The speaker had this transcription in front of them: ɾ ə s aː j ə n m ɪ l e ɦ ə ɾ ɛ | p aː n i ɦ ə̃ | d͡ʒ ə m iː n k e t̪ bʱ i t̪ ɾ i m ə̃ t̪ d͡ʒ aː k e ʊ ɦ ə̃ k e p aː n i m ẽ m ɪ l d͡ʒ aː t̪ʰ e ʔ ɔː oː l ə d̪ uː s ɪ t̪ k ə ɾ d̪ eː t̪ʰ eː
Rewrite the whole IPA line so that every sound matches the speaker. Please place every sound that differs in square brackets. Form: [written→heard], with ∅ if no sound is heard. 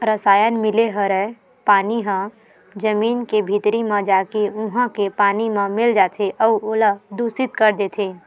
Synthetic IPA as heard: ɾ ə s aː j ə n m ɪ l e ɦ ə ɾ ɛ | p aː n i ɦ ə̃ | d͡ʒ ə m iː n k e [t̪→∅] bʱ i t̪ ɾ i m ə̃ [t̪→∅] d͡ʒ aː k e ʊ ɦ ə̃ k e p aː n i m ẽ m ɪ l d͡ʒ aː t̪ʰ e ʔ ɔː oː l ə d̪ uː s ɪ t̪ k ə ɾ d̪ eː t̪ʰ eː

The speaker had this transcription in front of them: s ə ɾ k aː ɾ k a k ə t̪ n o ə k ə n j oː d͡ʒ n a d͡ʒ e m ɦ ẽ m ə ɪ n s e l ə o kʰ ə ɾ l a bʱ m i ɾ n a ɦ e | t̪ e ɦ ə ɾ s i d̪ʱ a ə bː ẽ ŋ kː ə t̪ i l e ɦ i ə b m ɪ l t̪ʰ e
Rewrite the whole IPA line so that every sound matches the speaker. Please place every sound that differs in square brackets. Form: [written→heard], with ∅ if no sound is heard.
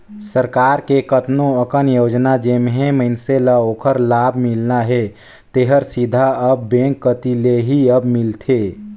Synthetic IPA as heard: s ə ɾ k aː ɾ k [a→e] k ə t̪ n o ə k ə n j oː d͡ʒ n a d͡ʒ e m ɦ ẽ m ə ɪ n s e l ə o kʰ ə ɾ l a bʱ m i [ɾ→l] n a ɦ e | t̪ e ɦ ə ɾ s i d̪ʱ a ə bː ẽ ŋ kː ə t̪ i l e ɦ i ə b m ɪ l t̪ʰ e

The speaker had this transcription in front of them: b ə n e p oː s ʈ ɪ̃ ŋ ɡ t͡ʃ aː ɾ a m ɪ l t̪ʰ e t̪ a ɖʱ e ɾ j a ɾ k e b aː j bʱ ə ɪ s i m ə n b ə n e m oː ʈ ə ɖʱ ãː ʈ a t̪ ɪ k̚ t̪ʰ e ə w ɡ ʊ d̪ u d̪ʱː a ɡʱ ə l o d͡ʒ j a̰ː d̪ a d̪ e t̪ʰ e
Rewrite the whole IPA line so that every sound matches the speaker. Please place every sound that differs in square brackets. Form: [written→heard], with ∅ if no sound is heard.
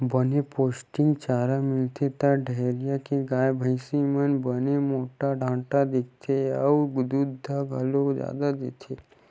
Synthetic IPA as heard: b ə n e p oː s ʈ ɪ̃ ŋ ɡ t͡ʃ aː ɾ a m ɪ l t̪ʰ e t̪ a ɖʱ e ɾ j a [ɾ→∅] k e [b→ɡ] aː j bʱ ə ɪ s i m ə n b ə n e m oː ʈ [ə→a] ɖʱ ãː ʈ a [t̪→d̪] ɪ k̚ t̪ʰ e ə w ɡ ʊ d̪ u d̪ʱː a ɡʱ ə l o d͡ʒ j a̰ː d̪ a d̪ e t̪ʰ e

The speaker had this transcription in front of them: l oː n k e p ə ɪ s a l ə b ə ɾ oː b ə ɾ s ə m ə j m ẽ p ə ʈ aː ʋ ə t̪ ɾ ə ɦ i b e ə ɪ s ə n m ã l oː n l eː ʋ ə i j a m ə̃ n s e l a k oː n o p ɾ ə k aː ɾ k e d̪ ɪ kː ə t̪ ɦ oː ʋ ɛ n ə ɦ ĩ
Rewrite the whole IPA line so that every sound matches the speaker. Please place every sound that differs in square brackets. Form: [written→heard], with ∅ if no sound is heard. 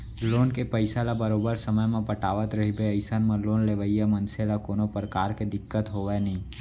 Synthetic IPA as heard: l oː n k e p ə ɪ s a l [ə→a] b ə ɾ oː b ə ɾ s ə m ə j m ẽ p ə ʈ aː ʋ ə t̪ ɾ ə ɦ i b e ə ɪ s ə n m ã l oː n l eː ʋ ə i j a m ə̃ n s e l a k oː n o p ɾ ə k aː ɾ k e d̪ ɪ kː ə t̪ ɦ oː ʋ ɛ n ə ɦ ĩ

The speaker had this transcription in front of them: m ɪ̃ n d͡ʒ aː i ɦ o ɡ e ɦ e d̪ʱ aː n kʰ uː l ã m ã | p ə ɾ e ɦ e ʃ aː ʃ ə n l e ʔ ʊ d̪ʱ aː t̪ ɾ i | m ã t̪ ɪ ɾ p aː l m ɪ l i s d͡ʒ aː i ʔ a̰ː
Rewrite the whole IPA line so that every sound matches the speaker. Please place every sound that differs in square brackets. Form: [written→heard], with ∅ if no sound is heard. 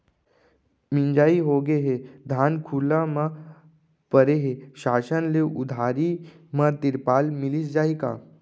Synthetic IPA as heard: m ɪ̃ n d͡ʒ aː i ɦ o ɡ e ɦ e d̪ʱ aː n kʰ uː l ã m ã | p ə ɾ e ɦ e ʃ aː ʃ ə n l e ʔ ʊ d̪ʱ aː [t̪→∅] ɾ i | m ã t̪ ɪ ɾ p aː l m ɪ l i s d͡ʒ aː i [ʔ→k] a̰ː

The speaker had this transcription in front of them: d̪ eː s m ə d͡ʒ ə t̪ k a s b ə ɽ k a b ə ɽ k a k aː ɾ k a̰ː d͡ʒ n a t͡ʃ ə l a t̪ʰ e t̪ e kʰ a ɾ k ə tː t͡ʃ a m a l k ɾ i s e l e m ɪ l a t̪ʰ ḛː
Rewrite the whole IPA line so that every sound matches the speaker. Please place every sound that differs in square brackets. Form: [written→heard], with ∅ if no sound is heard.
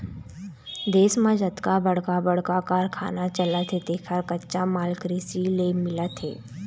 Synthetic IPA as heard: d̪ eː s m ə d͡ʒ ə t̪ k a [s→∅] b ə ɽ k a b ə ɽ k a k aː ɾ [k→kʰ] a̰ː [d͡ʒ→∅] n a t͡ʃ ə l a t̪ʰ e t̪ e kʰ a ɾ k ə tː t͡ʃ a m a l k ɾ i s [e→i] l e m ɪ l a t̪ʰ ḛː

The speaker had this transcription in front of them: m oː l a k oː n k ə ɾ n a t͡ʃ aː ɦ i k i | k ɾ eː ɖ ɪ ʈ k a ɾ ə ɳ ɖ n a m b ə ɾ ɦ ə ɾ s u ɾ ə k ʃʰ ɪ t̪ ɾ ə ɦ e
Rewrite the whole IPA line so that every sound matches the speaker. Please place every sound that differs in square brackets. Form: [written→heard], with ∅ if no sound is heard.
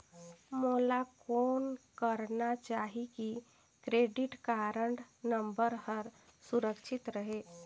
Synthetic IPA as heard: m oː l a k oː n k ə ɾ n a t͡ʃ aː ɦ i k i | k ɾ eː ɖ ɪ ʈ k a ɾ ə ɳ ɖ n [a→ə] m b ə ɾ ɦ ə ɾ s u ɾ ə k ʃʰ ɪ t̪ ɾ ə ɦ e

